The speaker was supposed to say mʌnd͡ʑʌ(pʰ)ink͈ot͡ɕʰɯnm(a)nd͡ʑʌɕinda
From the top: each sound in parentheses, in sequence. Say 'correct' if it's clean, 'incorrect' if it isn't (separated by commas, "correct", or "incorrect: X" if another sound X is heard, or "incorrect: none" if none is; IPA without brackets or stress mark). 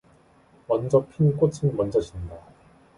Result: correct, incorrect: ʌ